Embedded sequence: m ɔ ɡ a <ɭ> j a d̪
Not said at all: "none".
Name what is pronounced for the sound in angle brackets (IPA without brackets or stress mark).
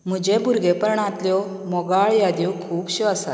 ɭ